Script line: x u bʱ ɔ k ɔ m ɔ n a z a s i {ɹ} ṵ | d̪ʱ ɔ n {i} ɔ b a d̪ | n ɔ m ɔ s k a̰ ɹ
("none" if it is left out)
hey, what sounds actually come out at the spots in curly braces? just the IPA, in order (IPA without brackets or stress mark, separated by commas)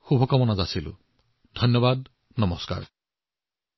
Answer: l, j